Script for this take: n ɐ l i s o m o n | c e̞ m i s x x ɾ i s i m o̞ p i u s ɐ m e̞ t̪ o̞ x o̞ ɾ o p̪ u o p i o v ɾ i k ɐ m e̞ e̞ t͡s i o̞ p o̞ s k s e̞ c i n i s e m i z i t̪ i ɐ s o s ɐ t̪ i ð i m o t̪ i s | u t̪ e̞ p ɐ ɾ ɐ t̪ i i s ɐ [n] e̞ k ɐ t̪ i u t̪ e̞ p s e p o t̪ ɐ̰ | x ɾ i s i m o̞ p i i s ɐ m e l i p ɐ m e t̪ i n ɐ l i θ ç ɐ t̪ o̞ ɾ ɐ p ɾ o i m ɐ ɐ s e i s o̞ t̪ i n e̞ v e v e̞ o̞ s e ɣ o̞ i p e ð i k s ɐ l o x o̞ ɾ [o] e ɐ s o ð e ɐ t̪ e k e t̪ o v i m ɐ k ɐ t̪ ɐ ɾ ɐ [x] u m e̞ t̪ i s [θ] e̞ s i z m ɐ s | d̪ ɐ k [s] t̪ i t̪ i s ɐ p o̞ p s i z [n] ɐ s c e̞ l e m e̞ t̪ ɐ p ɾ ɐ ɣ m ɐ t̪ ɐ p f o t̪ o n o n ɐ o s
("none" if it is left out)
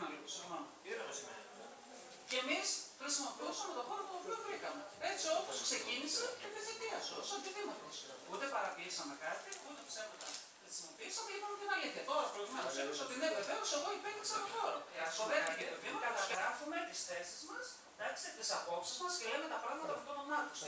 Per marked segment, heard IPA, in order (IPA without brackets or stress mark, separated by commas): m, o, f, θ, s, m